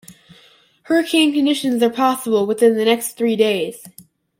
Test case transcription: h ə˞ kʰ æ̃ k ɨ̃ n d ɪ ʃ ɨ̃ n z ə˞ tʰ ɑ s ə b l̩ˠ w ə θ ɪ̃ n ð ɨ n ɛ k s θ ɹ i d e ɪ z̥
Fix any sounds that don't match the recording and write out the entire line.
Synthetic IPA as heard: h ə˞ kʰ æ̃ k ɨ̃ n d ɪ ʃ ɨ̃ n z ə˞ pʰ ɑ s ə b l̩ˠ w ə θ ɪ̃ n ð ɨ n ɛ k s θ ɹ i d e ɪ z̥